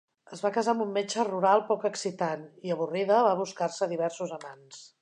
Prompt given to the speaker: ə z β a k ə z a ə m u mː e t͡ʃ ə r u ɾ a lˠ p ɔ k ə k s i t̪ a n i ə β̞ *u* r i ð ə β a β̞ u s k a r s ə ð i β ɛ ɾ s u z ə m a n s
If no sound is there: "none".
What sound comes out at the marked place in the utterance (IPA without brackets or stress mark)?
u